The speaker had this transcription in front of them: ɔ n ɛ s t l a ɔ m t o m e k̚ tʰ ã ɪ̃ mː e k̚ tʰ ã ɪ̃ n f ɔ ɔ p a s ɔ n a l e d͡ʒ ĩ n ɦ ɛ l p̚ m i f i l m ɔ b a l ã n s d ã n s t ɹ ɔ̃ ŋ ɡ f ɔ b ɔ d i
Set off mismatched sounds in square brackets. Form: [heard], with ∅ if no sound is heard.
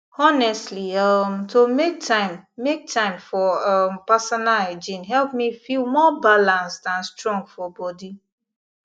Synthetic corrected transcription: ɔ n ɛ s t l [i] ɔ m t o m e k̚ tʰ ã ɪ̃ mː e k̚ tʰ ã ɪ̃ [m] f ɔ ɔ p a s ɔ n a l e d͡ʒ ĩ n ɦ ɛ l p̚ m i f i l m ɔ b a l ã n s d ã n s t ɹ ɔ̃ ŋ ɡ f ɔ b ɔ d i

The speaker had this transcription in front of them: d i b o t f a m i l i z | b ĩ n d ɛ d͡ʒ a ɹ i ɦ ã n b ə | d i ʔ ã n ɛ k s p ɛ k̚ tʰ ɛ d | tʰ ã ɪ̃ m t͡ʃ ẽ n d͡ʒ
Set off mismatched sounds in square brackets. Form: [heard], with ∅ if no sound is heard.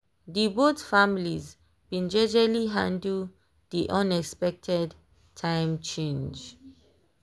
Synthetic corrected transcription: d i b o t f a m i l i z | b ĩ n [d͡ʒ] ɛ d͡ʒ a [l] i ɦ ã n [d] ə | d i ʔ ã n ɛ k s p ɛ k̚ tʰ ɛ d | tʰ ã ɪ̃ m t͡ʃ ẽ n d͡ʒ

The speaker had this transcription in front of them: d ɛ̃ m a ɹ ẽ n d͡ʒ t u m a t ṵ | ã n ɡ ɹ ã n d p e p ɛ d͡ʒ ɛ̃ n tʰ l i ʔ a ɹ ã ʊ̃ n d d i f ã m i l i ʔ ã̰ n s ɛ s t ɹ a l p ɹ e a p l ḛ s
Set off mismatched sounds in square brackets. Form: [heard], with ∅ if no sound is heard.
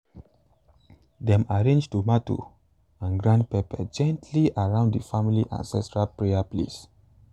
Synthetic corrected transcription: d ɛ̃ m a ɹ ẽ n d͡ʒ t u m a t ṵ | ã n ɡ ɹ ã n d p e p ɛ d͡ʒ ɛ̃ n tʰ l i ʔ a ɹ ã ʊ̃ n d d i f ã m i l i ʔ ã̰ n s ɛ s t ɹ a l p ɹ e a p l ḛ s

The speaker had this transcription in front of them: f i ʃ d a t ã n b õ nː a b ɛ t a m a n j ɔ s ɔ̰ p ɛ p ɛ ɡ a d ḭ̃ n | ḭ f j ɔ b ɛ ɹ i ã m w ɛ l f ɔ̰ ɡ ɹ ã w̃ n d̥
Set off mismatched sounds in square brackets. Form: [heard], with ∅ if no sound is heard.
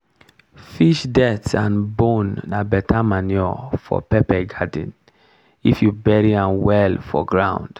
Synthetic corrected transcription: f i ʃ d [ɛ] t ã n b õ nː a b ɛ t a m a n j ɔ [f] ɔ̰ p ɛ p ɛ ɡ a d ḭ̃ n | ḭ f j [u] b ɛ ɹ i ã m w ɛ l f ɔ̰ ɡ ɹ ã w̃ n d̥

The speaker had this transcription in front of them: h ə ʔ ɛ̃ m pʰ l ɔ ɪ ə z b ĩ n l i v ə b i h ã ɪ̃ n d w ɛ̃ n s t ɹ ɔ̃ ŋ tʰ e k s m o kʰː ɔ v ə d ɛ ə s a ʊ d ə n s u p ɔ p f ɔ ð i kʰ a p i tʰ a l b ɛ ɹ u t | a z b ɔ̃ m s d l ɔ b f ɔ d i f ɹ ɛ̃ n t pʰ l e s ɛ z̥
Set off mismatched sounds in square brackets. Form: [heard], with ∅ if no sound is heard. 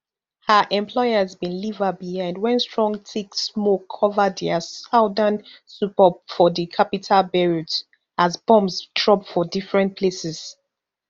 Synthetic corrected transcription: h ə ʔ ɛ̃ m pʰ l ɔ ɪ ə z b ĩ n l i v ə b i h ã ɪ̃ n d w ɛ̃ n s t ɹ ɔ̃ ŋ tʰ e k s m o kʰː ɔ v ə d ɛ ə s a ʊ d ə n s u p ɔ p f ɔ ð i kʰ a p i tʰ a l b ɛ ɹ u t | a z b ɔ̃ m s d [ɹ] ɔ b f ɔ d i f ɹ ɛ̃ n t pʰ l e s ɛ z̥

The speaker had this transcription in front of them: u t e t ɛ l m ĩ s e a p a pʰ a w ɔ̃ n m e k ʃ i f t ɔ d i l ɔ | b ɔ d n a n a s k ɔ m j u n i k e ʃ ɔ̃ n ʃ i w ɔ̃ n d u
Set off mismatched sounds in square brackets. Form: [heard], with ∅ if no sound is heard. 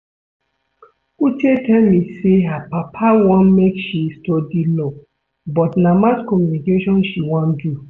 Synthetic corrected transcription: u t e t ɛ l m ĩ s e a p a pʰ a w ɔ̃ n m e k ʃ i [s] t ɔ d i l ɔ | b ɔ [t] n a [m] a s k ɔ m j u n i k e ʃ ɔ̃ n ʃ i w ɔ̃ n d u

